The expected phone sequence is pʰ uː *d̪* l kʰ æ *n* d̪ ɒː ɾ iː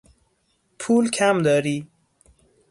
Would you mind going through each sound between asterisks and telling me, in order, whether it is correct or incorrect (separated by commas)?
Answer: incorrect, incorrect